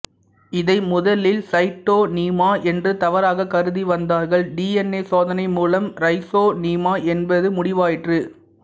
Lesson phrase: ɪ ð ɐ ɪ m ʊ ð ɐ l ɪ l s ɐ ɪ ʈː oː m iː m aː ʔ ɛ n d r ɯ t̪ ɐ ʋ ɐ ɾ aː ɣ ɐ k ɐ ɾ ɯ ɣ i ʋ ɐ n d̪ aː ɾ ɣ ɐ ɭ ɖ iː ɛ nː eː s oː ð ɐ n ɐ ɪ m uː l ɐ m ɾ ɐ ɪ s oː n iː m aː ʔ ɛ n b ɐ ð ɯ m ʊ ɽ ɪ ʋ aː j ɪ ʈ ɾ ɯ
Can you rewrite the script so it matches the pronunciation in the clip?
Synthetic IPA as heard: ɪ ð ɐ ɪ m ʊ ð ɐ l ɪ l s ɐ ɪ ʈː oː n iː m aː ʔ ɛ n d r ɯ t̪ ɐ ʋ ɐ ɾ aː ɣ ɐ k ɐ ɾ ɯ ð i ʋ ɐ n d̪ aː ɾ ɣ ɐ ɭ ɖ iː ɛ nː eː s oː ð ɐ n ɐ ɪ m uː l ɐ m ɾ ɐ ɪ s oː n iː m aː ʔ ɛ n b ɐ ð ɯ m ʊ ɽ ɪ ʋ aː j ɪ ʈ r ɯ

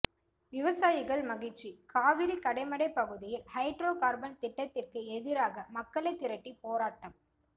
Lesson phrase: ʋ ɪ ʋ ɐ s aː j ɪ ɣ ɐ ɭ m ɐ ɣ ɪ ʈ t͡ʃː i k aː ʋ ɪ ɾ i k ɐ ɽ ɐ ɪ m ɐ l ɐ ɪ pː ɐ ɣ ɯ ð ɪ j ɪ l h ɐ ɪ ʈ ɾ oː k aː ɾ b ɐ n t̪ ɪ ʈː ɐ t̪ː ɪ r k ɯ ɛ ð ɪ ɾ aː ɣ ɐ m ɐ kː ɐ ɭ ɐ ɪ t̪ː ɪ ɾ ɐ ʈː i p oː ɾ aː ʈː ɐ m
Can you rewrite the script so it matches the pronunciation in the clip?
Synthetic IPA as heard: ʋ ɪ ʋ ɐ s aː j ɪ ɣ ɐ ɭ m ɐ ɣ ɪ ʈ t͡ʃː i k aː ʋ ɪ ɾ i k ɐ ɽ ɐ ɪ m ɐ ɽ ɐ ɪ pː ɐ ɣ ɯ ð ɪ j ɪ l h ɐ ɪ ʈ ɾ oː k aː ɾ b ɐ n t̪ ɪ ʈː ɐ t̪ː ɪ r k ɯ ɛ ð ɪ ɾ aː ɣ ɐ m ɐ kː ɐ ɭ ɐ ɪ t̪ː ɪ ɾ ɐ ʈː i p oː ɾ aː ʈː ɐ m

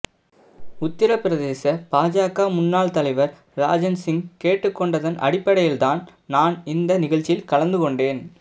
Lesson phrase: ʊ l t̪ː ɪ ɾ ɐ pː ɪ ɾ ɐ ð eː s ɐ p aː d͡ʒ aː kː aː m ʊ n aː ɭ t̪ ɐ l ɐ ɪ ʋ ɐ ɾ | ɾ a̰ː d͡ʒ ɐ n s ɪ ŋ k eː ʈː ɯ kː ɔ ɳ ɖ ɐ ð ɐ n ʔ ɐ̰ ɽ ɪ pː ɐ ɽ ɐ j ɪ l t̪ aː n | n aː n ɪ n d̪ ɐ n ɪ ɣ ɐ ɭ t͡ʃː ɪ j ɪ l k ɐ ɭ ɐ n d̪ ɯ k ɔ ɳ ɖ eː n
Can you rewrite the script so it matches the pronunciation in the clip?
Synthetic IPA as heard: ʊ t̪ː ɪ ɾ ɐ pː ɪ ɾ ɐ ð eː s ɐ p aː d͡ʒ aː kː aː m ʊ nː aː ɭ t̪ ɐ l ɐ ɪ ʋ ɐ ɾ | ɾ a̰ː d͡ʒ ɐ n s ɪ ŋ k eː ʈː ɯ kː ɔ ɳ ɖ ɐ ð ɐ n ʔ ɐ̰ ɽ ɪ pː ɐ ɽ ɐ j ɪ l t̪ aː n | n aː n ɪ n d̪ ɐ n ɪ ɣ ɐ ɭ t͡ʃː ɪ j ɪ l k ɐ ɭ ɐ n d̪ ɯ k ɔ ɳ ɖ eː n

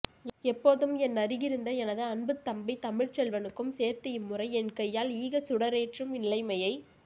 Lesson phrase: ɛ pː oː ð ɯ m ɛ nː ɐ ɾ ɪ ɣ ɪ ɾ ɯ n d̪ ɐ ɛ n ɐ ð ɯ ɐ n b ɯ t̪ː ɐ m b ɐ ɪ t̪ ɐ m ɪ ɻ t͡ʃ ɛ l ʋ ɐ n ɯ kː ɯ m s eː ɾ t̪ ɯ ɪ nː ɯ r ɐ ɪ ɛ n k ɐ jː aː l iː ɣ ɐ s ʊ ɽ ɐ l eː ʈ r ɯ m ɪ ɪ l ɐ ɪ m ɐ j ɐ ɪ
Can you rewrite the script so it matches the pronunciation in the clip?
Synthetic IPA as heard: ɛ pː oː ð ɯ m ɛ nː ɐ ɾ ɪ ɣ ɪ ɾ ɯ n d̪ ɐ ɛ n ɐ ð ɯ ɐ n b ɯ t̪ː ɐ m b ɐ ɪ t̪ ɐ m ɪ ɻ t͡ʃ ɛ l ʋ ɐ n ɯ kː ɯ m s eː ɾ t̪ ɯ ɪ mː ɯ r ɐ ɪ ɛ n k ɐ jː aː l iː ɣ ɐ s ʊ ɽ ɐ ɾ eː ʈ r ɯ m ɪ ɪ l ɐ ɪ m ɐ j ɐ ɪ

